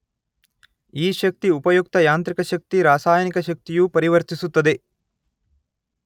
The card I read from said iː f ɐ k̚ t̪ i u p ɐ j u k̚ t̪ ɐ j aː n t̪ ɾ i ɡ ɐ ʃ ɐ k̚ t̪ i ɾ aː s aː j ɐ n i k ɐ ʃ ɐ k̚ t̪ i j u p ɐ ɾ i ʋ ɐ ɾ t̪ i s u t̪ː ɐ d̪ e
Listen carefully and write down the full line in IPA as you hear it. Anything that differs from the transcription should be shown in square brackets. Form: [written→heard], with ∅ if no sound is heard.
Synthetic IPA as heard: iː [f→ʃ] ɐ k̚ t̪ i u p ɐ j u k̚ t̪ ɐ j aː n t̪ ɾ i [ɡ→k] ɐ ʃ ɐ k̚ t̪ i ɾ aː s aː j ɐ n i k ɐ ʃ ɐ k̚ t̪ i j u p ɐ ɾ i ʋ ɐ ɾ t̪ i s u t̪ː ɐ d̪ e